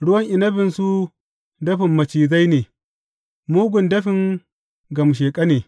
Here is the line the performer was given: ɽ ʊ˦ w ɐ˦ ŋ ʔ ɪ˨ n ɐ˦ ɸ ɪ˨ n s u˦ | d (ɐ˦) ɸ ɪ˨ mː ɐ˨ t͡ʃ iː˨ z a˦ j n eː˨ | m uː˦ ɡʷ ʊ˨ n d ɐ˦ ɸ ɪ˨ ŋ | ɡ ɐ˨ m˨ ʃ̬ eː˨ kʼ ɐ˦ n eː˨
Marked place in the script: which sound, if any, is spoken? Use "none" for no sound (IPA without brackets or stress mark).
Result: ɐ˦